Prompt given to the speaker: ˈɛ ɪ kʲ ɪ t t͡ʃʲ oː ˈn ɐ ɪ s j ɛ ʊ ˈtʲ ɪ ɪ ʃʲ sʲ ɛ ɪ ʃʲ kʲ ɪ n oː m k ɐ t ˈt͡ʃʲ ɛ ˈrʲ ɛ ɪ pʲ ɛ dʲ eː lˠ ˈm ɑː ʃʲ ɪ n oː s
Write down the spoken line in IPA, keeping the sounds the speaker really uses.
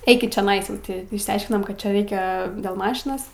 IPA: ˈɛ ɪ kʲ ɪ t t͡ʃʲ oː ˈn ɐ ɪ s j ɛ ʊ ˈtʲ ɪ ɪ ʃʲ sʲ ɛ ɪ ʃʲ kʲ ɪ n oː m k ɐ t ˈt͡ʃʲ ɛ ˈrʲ ɛ ɪ kʲ ɛ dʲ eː lˠ ˈm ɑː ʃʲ ɪ n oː s

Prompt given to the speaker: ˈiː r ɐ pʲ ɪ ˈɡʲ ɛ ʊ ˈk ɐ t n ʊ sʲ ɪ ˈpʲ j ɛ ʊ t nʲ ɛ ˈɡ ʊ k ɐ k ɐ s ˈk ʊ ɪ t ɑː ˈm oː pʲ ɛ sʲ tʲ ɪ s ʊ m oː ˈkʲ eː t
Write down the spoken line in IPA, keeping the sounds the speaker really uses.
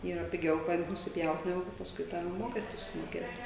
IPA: ˈiː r ɐ pʲ ɪ ˈɡʲ ɛ ʊ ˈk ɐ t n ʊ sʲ ɪ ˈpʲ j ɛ ʊ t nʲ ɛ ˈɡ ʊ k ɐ p ɐ s ˈk ʊ ɪ t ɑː ˈm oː kʲ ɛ sʲ tʲ ɪ s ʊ m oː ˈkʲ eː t

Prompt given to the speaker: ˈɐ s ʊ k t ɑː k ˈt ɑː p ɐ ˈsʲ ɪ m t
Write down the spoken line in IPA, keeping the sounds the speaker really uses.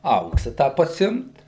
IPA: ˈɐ ʊ k s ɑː ˈt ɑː p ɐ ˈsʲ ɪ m t

